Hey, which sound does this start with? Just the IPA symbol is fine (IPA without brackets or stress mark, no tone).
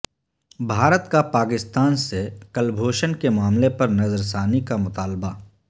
bʱ